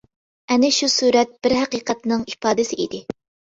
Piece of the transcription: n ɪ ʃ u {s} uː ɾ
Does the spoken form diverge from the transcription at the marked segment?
no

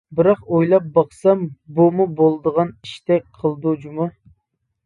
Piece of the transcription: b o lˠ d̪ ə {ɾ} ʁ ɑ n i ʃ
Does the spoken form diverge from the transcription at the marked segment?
yes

